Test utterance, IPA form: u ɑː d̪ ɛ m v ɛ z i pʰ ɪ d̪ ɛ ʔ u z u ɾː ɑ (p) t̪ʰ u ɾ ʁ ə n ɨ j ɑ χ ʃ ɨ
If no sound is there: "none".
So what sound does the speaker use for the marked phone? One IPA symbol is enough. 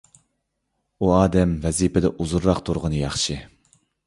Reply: q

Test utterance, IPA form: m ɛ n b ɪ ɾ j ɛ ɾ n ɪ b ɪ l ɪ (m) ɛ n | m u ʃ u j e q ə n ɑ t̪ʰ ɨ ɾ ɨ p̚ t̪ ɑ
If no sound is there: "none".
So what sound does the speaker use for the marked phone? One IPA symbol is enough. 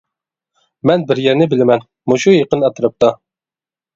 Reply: m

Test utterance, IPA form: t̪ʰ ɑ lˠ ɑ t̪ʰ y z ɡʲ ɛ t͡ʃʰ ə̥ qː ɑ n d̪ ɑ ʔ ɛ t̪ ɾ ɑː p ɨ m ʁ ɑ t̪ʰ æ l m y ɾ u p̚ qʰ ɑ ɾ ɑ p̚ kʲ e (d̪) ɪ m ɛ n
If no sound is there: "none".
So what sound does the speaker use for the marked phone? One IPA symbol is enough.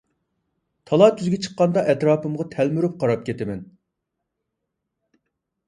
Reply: t̪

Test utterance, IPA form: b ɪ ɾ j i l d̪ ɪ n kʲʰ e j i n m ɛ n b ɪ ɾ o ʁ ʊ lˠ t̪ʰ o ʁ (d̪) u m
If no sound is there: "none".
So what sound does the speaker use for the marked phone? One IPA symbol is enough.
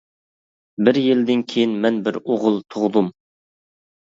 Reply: d̪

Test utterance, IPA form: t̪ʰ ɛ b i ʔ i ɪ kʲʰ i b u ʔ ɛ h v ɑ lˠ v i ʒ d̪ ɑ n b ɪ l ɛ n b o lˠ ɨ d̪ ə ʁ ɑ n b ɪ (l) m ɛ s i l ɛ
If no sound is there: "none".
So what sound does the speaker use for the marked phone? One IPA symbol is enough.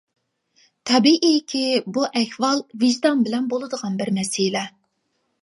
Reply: ɾ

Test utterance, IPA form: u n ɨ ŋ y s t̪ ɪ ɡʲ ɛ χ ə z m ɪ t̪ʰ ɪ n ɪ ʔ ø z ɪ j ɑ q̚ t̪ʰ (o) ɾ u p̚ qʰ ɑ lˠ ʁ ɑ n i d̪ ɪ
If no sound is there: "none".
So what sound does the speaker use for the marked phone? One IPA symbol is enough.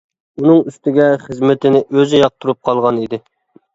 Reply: u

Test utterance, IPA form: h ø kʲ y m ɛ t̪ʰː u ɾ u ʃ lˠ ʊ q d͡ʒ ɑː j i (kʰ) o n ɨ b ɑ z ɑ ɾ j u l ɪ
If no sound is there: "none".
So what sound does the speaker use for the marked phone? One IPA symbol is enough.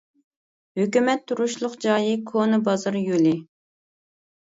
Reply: kʰ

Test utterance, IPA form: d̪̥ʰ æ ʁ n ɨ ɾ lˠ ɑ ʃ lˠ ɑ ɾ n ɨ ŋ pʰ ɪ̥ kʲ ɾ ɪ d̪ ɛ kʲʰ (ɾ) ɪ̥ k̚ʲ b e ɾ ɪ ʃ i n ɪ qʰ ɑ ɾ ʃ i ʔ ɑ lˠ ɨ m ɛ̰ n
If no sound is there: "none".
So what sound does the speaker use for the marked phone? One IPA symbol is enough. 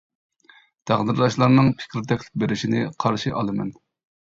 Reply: l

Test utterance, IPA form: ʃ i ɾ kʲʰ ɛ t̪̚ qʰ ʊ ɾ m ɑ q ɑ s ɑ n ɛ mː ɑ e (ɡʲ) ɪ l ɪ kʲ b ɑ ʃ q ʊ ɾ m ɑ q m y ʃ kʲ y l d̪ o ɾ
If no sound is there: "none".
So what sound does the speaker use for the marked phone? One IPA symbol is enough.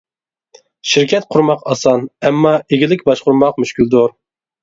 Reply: ɡʲ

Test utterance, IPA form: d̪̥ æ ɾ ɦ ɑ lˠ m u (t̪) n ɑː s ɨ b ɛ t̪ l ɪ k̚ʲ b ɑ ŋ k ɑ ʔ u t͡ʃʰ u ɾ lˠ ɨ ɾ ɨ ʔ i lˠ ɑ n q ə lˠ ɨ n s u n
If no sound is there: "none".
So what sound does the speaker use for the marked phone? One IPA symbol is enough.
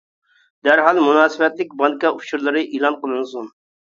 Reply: none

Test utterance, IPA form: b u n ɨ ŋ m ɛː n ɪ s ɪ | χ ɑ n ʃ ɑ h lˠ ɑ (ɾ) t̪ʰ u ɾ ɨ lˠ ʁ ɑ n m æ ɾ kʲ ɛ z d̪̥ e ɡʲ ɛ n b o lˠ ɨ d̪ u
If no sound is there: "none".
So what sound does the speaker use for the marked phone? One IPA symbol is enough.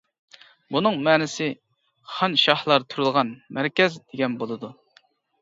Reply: ɾ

